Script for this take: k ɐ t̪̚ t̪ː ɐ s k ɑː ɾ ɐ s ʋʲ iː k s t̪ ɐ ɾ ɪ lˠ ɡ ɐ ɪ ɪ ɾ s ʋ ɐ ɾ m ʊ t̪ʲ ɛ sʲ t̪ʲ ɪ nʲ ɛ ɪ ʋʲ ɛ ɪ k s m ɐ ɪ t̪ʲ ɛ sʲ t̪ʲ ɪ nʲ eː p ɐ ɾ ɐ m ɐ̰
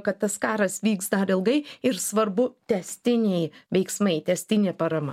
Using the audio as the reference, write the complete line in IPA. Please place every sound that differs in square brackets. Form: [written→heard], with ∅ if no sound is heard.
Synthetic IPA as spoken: k ɐ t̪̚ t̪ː ɐ s k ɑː ɾ ɐ s ʋʲ iː k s [t̪→d̪] ɐ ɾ ɪ lˠ ɡ ɐ ɪ ɪ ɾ s ʋ ɐ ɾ [m→b] ʊ t̪ʲ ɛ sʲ t̪ʲ ɪ nʲ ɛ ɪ ʋʲ ɛ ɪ k s m ɐ ɪ t̪ʲ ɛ sʲ t̪ʲ ɪ nʲ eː p ɐ ɾ ɐ m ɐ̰